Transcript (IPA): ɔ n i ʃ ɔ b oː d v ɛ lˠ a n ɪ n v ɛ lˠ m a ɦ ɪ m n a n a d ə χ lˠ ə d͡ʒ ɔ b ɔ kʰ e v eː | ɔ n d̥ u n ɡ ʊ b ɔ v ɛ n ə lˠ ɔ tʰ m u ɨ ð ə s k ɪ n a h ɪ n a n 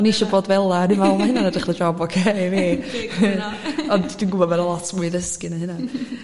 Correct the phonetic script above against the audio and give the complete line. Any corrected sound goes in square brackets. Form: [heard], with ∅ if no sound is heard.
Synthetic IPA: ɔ n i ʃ ɔ b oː d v ɛ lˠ a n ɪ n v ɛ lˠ m a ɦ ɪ [∅] n a n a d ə χ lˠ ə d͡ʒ ɔ b ɔ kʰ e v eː | ɔ n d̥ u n ɡ ʊ b ɔ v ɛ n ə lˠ ɔ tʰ m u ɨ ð ə s k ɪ n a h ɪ n a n